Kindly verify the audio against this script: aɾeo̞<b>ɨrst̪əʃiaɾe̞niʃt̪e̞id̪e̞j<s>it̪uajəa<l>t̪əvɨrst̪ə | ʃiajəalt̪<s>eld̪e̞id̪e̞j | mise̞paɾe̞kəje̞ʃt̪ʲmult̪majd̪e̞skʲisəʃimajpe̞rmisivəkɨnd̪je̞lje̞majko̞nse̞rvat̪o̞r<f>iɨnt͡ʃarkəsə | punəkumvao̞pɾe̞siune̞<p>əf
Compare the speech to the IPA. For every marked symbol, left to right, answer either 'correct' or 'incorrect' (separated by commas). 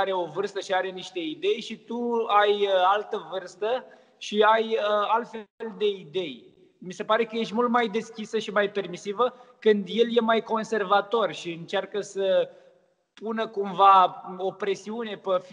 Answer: incorrect, incorrect, correct, incorrect, incorrect, correct